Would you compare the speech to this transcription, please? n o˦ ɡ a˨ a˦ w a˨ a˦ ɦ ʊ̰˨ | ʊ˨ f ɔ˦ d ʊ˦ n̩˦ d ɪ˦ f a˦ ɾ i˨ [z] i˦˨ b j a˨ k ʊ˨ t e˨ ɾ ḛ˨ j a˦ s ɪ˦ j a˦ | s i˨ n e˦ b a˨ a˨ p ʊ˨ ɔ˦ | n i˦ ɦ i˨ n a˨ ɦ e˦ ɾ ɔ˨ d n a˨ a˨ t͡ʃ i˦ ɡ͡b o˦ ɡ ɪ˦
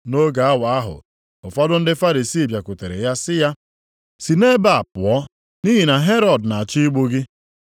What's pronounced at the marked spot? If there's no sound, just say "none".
s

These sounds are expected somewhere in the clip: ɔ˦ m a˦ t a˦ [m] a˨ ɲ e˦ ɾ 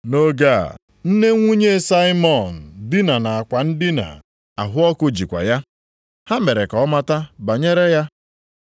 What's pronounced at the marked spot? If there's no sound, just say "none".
b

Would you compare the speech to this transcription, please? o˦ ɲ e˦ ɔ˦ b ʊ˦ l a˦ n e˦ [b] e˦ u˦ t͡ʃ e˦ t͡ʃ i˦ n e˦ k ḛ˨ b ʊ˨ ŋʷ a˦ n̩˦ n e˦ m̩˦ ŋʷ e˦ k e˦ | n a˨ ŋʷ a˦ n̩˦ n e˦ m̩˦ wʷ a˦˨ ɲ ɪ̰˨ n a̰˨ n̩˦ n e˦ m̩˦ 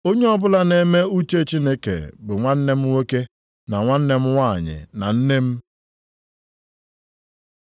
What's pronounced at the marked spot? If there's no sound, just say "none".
m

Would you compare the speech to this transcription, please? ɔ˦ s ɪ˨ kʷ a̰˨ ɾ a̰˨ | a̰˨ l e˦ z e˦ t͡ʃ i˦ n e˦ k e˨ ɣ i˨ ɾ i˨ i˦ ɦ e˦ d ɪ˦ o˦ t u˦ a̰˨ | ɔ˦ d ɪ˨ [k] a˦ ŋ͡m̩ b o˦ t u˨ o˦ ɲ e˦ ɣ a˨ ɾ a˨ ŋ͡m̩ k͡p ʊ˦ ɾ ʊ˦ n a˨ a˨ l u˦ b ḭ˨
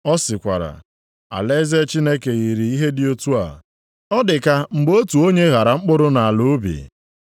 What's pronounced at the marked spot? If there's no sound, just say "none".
k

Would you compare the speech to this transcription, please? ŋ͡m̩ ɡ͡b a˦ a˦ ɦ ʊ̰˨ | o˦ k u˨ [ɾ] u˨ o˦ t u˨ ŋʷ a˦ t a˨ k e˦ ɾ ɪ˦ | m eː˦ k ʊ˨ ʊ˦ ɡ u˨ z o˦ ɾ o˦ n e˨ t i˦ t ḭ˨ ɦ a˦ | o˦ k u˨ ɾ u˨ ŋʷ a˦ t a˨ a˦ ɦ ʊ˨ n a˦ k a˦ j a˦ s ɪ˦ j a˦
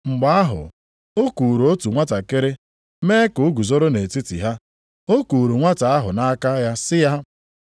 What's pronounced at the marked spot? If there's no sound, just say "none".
ɾ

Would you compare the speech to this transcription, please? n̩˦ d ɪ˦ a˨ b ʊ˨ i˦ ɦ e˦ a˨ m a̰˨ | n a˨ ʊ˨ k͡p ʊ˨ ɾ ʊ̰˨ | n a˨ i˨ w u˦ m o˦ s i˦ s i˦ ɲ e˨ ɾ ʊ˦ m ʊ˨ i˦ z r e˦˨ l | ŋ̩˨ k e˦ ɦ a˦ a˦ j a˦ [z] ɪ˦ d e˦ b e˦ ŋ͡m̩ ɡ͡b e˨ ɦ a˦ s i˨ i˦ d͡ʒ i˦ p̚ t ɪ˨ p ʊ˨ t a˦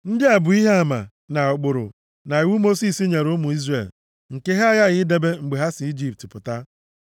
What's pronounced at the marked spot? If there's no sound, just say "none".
ɣ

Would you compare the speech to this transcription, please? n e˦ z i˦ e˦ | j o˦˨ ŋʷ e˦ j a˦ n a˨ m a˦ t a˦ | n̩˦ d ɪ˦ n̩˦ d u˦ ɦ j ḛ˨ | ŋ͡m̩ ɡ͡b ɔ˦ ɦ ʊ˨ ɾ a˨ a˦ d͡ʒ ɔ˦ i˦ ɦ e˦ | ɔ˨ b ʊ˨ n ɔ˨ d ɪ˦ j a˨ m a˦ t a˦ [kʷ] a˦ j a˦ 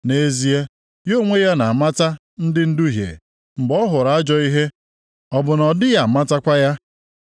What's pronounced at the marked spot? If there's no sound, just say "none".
kʷ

